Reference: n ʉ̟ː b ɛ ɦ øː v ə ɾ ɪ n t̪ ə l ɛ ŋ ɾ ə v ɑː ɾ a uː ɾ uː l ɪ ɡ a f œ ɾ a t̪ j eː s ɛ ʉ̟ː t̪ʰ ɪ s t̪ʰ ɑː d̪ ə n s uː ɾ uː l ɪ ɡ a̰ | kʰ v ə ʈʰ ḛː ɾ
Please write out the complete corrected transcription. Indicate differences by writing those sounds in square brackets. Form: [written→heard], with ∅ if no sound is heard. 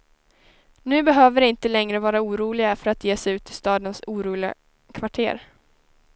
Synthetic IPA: n ʉ̟ː b ɛ ɦ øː v ə ɾ ɪ n t̪ ə l ɛ ŋ ɾ ə v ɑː ɾ a uː ɾ uː l ɪ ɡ a f œ ɾ a t̪ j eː s ɛ ʉ̟ː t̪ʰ ɪ s [t̪ʰ→t̪] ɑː d̪ ə n s uː ɾ uː l ɪ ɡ a̰ | kʰ v [ə→a] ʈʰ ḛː ɾ